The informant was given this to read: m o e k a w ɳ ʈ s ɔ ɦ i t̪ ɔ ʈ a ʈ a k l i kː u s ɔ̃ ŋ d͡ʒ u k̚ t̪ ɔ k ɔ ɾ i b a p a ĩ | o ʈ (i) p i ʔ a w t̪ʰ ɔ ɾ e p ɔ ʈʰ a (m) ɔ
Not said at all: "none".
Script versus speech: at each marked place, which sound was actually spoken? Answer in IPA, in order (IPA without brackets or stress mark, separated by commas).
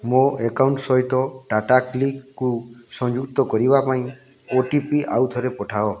i, none